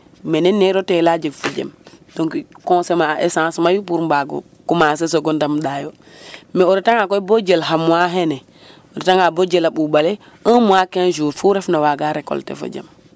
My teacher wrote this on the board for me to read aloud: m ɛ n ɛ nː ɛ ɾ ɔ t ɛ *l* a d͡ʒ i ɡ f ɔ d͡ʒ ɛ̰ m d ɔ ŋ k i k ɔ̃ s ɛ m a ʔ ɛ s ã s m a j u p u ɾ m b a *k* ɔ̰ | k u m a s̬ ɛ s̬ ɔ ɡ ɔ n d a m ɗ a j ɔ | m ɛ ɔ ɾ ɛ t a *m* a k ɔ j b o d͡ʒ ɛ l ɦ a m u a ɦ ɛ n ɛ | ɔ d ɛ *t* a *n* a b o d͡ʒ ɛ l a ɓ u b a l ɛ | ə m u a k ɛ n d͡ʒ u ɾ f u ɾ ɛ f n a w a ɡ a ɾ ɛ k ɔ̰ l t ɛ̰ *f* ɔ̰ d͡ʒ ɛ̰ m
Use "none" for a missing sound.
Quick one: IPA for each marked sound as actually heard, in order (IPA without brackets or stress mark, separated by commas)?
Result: l, ɡ, ŋ, t, ŋ, f